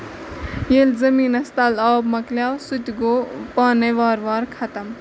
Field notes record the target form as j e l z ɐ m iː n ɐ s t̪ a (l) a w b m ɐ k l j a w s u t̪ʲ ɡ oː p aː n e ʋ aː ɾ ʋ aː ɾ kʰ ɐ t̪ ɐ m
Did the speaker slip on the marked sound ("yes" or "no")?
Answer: no